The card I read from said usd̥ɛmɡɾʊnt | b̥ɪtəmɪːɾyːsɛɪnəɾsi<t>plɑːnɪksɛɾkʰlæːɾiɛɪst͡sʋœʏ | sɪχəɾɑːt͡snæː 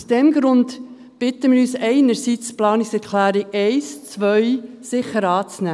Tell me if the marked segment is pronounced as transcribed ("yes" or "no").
no